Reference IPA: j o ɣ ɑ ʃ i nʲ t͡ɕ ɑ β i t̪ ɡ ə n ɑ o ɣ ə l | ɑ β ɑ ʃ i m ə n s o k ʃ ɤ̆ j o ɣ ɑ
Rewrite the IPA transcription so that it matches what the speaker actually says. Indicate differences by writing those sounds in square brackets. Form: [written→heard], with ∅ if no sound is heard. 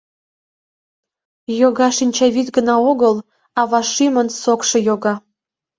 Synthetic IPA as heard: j o ɣ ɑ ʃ i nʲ t͡ɕ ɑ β i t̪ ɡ ə n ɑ o ɣ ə l | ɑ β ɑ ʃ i m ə n s o k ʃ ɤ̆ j o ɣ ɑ